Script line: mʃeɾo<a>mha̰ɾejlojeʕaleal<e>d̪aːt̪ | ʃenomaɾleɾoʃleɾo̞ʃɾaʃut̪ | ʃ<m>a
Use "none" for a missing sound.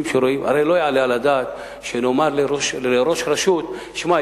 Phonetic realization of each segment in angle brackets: i, a, m

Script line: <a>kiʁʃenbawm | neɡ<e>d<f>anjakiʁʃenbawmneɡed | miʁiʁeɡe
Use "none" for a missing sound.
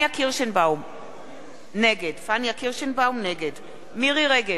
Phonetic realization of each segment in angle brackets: a, e, f

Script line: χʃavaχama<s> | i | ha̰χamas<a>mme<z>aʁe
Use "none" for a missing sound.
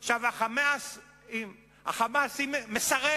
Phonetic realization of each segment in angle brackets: s, i, s

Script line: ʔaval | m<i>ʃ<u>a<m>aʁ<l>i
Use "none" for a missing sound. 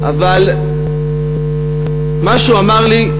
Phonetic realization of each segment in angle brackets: a, u, m, l

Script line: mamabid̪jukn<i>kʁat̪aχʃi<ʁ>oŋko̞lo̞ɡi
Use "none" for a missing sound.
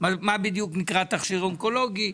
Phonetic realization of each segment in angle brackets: i, ʁ

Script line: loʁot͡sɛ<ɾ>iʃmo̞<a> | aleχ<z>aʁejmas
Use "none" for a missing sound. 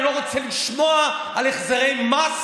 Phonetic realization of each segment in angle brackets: l, a, z

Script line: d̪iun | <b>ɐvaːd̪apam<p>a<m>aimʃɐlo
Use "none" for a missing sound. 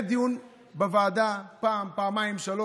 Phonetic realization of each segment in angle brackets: b, p, m

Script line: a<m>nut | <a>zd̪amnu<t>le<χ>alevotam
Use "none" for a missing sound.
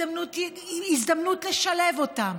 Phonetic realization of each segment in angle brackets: m, i, t, ʃ

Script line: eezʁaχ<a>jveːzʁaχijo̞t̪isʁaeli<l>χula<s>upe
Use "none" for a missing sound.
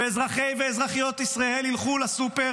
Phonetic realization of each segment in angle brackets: e, l, s

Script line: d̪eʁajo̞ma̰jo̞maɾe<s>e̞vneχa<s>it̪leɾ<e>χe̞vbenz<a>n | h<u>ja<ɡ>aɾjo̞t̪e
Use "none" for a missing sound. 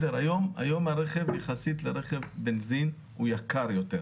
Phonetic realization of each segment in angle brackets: χ, s, e, i, u, k

